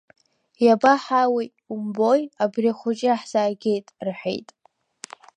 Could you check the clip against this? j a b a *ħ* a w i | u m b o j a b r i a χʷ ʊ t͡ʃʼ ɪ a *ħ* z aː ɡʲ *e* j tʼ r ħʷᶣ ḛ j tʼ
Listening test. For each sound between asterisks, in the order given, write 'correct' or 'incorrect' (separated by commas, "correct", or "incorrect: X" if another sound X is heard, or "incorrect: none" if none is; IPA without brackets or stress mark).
correct, correct, correct